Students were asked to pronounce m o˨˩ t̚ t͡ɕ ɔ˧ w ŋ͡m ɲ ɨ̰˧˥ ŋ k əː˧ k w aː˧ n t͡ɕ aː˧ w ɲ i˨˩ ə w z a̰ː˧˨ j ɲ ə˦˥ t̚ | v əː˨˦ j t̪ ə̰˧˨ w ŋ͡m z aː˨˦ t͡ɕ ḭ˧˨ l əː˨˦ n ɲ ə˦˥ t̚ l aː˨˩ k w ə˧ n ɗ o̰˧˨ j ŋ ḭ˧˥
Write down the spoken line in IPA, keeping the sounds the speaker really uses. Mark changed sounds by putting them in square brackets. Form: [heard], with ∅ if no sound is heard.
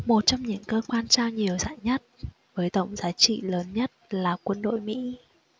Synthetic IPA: m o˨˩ t̚ t͡ɕ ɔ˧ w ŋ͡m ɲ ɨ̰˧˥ ŋ k əː˧ k w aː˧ n t͡ɕ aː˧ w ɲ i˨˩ ə w z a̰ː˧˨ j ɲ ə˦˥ t̚ | v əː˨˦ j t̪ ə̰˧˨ w ŋ͡m z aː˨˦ t͡ɕ ḭ˧˨ l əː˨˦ n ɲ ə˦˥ t̚ l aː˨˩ k w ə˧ n ɗ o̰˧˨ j [m] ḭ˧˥

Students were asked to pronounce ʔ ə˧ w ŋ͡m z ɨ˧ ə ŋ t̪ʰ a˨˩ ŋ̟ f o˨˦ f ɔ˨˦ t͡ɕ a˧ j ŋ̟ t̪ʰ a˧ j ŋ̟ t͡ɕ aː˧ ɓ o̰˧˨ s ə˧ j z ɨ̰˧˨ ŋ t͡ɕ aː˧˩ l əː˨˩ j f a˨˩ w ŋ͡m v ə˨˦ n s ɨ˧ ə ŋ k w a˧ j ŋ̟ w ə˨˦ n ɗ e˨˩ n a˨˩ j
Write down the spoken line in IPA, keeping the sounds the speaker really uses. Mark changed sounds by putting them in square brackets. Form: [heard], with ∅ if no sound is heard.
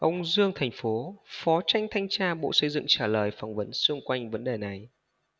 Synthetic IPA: ʔ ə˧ w ŋ͡m z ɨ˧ ə ŋ t̪ʰ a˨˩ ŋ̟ f o˨˦ f ɔ˨˦ t͡ɕ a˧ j ŋ̟ t̪ʰ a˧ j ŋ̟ t͡ɕ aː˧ ɓ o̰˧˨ s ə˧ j z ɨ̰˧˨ ŋ t͡ɕ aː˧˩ l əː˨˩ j f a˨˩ w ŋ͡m v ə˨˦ n s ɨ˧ ə ŋ k w a˧ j ŋ̟ [v] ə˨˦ n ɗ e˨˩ n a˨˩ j

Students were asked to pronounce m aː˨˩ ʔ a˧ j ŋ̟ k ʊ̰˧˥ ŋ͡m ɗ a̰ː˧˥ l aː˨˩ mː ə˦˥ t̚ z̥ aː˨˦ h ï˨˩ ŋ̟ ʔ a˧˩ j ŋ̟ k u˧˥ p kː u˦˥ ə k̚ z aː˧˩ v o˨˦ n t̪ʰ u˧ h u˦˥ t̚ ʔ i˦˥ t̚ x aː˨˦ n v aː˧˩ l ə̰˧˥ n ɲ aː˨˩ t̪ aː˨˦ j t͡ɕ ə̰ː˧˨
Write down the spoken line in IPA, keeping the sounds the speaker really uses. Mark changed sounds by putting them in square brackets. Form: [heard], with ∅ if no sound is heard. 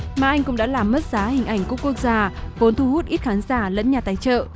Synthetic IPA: m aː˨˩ ʔ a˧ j ŋ̟ k ʊ̰˧˥ ŋ͡m ɗ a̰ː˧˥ l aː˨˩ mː ə˦˥ t̚ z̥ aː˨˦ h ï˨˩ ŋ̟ ʔ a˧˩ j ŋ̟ k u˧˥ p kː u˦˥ ə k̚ z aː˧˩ v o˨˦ n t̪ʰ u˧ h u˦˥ t̚ ʔ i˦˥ t̚ x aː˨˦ n [z] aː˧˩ l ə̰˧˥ n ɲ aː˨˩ t̪ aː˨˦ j t͡ɕ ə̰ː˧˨

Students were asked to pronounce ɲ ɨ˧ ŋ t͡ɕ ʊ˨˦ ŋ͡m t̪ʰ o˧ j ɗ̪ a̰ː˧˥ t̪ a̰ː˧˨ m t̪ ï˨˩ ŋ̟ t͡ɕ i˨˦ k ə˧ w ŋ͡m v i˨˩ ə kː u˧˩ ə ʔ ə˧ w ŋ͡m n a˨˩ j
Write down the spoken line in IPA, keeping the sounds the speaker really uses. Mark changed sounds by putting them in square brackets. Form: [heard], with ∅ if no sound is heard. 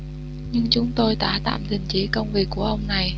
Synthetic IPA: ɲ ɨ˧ ŋ t͡ɕ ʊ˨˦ ŋ͡m [t̪] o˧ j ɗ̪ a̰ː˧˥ t̪ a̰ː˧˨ m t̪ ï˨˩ ŋ̟ t͡ɕ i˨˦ k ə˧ w ŋ͡m v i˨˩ ə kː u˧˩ ə ʔ ə˧ w ŋ͡m n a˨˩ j

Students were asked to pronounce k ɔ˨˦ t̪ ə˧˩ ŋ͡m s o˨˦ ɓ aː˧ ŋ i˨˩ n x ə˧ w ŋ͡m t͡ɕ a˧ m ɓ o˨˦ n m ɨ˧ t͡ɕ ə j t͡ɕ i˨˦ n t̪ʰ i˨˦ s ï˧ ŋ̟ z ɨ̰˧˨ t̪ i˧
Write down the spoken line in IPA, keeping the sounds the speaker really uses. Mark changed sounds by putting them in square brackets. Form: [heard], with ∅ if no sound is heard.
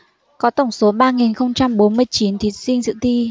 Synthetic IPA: k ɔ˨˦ t̪ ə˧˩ ŋ͡m s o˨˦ ɓ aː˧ ŋ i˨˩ n x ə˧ w ŋ͡m t͡ɕ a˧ m ɓ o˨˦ n m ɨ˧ [∅] ə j t͡ɕ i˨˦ n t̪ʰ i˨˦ s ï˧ ŋ̟ z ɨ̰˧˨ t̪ i˧

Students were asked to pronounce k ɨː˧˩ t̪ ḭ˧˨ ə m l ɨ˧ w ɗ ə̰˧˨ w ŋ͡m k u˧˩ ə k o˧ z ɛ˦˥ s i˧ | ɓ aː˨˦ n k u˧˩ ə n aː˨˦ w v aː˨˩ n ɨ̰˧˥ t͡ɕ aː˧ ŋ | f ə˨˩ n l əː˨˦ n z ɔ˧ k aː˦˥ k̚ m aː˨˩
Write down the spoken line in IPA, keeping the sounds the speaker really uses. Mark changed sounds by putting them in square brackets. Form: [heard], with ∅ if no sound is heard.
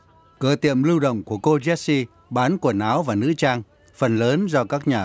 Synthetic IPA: k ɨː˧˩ t̪ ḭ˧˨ ə m l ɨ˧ w ɗ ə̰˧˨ w ŋ͡m k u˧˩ ə k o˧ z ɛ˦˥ s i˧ | ɓ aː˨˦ n k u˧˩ ə n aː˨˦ w v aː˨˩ n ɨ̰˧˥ t͡ɕ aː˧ ŋ | f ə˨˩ n l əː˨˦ n z ɔ˧ k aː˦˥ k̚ [ɲ] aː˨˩

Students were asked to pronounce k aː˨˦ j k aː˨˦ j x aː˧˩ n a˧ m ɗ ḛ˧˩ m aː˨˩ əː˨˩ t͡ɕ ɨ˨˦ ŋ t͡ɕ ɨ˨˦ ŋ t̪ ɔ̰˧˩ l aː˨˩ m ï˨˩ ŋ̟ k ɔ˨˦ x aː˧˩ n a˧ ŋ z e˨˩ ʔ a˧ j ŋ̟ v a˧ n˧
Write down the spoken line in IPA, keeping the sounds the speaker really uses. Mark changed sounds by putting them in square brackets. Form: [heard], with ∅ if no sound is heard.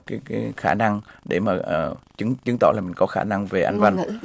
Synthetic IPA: k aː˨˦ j k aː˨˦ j x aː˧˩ n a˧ [ŋ] ɗ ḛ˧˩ m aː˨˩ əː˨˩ t͡ɕ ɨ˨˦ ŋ t͡ɕ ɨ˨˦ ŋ t̪ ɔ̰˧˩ l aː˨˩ m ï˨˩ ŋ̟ k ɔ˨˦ x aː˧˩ n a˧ ŋ [v] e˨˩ ʔ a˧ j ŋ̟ v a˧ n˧

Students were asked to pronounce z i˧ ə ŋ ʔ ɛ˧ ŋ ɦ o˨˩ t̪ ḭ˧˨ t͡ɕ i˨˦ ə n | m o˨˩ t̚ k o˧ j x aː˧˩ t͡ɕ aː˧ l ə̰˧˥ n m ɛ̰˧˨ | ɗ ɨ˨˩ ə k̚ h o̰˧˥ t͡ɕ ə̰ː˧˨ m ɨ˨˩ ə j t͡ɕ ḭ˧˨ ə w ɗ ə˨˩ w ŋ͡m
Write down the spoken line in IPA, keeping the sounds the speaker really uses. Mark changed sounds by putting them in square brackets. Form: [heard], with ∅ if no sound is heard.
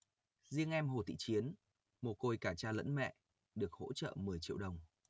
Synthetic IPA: z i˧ ə ŋ ʔ ɛ˧ [m] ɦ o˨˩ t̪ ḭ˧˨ t͡ɕ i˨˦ ə n | m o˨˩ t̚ k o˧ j [k] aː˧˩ t͡ɕ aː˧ l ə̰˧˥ n m ɛ̰˧˨ | ɗ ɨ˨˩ ə k̚ h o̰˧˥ t͡ɕ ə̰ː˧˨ m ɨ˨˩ ə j t͡ɕ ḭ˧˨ ə w ɗ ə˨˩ w ŋ͡m

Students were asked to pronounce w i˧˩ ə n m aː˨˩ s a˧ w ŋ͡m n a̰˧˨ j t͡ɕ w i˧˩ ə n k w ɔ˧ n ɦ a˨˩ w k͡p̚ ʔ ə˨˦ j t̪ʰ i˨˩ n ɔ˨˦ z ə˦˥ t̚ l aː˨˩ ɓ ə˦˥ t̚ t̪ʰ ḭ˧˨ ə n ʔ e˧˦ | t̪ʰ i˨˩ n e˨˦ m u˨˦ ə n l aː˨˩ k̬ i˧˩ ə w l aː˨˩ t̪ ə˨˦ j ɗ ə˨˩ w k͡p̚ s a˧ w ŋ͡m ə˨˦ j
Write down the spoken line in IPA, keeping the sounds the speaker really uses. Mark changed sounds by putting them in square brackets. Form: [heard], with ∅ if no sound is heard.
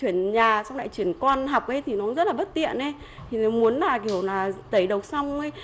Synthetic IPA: w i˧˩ ə n [ɲ] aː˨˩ s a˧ w ŋ͡m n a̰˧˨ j t͡ɕ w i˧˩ ə n k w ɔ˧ n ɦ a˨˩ w k͡p̚ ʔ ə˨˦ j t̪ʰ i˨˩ n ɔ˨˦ z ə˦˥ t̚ l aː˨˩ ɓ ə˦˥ t̚ [t̪] ḭ˧˨ ə n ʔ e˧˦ | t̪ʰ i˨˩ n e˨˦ m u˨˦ ə n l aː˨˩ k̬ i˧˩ ə w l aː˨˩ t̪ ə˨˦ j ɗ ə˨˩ w k͡p̚ s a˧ w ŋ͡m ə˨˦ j

